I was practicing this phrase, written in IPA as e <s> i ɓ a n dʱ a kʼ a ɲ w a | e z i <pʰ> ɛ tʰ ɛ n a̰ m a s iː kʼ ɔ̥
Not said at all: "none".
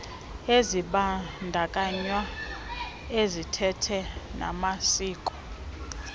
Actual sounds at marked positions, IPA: z, tʰ

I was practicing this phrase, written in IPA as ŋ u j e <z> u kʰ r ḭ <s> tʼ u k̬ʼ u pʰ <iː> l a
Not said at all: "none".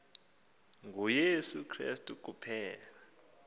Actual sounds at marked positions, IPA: s, s, ɛː

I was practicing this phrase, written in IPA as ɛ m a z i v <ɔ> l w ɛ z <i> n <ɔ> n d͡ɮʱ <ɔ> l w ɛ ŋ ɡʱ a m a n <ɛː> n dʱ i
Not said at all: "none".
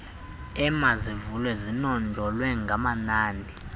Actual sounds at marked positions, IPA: u, i, ɔ, ɔ, aː

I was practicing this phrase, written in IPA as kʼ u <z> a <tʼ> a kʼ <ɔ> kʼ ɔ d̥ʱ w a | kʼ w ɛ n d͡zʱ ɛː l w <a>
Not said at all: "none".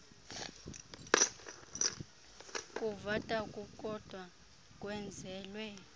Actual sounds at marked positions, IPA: v, tʼ, u, ɛ

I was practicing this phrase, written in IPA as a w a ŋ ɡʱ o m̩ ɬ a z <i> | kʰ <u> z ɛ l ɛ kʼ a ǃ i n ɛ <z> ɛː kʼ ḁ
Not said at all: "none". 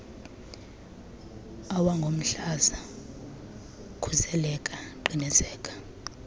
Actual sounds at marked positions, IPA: a, u, z

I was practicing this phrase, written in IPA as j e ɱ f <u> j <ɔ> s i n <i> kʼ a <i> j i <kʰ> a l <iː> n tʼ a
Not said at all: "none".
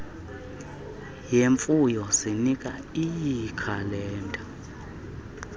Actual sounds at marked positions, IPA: u, ɔ, i, i, kʰ, ɛː

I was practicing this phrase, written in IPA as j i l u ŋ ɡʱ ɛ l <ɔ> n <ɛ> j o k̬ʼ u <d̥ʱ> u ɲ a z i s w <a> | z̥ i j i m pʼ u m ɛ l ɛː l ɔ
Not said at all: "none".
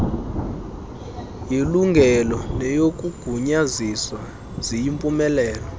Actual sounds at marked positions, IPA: ɔ, ɛ, ɡ̥ʱ, a

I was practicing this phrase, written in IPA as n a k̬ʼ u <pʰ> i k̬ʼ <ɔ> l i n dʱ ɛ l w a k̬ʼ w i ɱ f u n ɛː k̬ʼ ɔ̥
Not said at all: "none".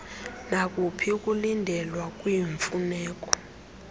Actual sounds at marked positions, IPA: pʰ, u

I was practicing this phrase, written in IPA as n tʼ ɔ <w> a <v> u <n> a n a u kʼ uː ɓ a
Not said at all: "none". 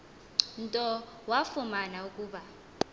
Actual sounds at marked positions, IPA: w, f, m

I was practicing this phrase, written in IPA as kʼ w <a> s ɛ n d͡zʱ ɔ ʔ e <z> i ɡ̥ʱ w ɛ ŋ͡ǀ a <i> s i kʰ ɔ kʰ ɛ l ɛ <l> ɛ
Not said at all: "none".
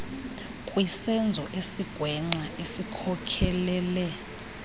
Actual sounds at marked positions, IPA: i, s, e, l

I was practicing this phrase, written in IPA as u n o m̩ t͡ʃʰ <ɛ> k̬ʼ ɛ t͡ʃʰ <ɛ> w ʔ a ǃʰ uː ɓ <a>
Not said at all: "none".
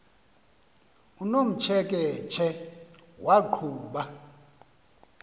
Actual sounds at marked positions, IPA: ɛ, ɛ, a

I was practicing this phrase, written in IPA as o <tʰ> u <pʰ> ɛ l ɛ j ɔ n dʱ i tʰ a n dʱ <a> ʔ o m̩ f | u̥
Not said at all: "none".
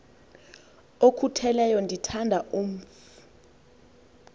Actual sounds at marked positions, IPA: kʰ, tʰ, a

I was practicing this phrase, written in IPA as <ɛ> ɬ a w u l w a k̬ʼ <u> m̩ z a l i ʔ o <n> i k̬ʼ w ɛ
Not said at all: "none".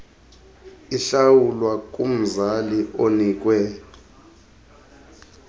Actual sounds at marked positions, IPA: i, u, n

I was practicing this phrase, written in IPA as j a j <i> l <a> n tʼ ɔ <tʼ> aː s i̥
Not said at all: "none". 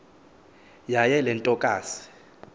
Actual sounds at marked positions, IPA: ɛ, ɛ, kʼ

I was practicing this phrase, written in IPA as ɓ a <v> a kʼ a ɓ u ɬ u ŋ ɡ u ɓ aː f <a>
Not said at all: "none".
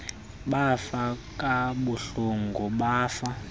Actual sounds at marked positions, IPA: f, a

